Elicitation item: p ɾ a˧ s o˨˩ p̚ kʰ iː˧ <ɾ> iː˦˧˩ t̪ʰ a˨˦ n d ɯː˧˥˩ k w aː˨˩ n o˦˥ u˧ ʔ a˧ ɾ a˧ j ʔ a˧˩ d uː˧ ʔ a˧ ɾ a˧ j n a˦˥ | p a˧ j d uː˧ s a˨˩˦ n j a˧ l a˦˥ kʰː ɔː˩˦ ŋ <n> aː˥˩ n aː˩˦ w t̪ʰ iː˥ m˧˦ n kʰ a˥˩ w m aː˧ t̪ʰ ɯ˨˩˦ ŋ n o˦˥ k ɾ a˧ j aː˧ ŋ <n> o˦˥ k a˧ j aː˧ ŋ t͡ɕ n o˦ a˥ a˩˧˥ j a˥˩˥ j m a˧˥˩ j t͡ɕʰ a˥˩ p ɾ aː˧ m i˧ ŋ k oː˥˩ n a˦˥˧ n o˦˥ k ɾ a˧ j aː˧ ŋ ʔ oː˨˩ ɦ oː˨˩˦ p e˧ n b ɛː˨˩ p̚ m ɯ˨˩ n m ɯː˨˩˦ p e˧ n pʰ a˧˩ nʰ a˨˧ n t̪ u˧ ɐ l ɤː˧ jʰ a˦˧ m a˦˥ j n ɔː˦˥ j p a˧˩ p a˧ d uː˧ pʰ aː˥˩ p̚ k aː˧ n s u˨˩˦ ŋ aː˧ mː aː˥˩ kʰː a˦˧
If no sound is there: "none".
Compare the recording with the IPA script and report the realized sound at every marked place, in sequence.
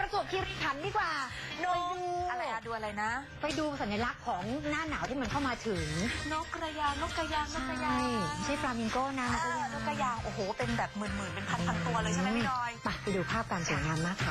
ɾ, n, n

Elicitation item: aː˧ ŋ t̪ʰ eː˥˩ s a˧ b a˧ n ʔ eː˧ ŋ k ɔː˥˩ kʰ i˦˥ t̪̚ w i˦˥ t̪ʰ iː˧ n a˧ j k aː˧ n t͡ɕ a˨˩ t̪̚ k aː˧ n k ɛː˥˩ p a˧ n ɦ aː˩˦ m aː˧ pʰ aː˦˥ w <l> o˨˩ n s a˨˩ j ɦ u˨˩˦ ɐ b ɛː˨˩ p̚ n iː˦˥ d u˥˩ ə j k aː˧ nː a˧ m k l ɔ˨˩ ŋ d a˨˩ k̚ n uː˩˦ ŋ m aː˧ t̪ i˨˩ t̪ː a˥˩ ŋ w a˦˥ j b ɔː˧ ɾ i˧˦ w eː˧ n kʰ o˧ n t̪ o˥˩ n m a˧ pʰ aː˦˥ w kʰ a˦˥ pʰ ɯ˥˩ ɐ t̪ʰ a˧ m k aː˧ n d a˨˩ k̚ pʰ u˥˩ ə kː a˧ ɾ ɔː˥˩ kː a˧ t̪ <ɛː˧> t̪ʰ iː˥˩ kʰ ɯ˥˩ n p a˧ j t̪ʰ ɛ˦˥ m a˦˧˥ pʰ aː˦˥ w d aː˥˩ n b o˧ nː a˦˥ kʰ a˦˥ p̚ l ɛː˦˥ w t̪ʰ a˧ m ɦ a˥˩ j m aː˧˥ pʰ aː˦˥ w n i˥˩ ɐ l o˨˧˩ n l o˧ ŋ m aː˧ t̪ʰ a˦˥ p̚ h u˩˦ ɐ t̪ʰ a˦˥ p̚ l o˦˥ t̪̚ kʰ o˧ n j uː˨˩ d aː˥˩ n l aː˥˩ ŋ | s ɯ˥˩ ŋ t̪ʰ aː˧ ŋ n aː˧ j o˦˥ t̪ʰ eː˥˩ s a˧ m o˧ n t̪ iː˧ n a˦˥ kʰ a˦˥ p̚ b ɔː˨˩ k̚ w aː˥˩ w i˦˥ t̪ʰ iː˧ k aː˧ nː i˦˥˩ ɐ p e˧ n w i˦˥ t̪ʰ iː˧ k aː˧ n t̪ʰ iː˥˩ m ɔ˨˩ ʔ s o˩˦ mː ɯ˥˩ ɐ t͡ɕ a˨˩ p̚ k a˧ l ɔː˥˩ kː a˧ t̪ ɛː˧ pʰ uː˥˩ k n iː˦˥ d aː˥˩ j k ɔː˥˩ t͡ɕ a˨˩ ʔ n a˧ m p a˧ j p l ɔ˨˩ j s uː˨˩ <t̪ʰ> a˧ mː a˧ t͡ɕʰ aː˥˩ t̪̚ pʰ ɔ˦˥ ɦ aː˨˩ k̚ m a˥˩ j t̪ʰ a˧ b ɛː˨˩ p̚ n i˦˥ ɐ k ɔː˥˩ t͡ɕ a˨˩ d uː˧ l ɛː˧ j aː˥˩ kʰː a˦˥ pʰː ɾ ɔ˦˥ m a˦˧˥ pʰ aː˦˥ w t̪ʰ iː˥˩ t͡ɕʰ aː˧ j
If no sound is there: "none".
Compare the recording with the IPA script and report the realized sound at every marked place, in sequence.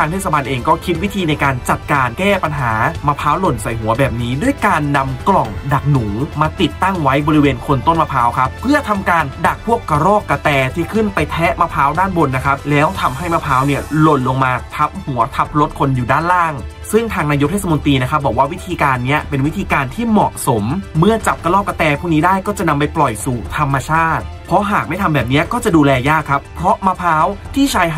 l, ɛː˧, t̪ʰ

